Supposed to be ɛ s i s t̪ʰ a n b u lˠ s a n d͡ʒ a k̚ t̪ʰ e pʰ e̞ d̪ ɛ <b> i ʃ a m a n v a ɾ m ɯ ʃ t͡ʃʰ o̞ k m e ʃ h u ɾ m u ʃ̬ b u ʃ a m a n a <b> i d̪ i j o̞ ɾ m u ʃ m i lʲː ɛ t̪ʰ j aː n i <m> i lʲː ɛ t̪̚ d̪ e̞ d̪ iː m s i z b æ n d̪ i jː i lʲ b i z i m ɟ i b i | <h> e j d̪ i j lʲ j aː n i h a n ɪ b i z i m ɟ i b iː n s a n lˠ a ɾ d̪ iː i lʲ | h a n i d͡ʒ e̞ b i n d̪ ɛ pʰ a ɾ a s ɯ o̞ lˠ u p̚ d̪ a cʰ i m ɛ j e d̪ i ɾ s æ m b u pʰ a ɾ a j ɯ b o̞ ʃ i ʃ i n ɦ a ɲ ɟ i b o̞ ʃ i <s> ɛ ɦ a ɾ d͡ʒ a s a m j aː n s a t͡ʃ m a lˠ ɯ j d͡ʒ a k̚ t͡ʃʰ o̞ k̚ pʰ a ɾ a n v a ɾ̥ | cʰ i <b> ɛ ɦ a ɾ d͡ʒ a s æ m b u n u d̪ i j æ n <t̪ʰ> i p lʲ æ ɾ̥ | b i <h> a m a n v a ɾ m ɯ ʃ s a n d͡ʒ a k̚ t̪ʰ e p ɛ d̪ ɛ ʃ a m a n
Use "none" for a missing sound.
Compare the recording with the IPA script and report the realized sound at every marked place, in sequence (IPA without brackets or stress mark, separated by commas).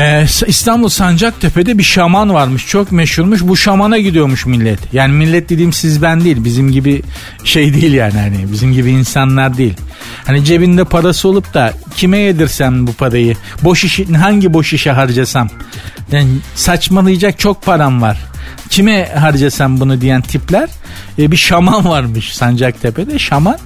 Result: b, ɟ, m, ʃ, ʃ, m, t̪ʰ, ʃ